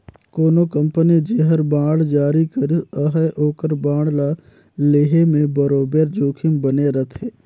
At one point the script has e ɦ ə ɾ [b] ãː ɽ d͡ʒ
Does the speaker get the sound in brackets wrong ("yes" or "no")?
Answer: no